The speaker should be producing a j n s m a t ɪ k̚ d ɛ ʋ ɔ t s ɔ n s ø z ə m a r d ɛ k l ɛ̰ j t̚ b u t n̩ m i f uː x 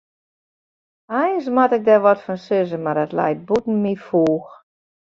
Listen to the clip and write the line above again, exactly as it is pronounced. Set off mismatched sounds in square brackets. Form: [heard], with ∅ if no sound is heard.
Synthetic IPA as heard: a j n s m a t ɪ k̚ d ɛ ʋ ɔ t [f] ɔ n s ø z ə m a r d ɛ [t] l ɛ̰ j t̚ b u t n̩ m i f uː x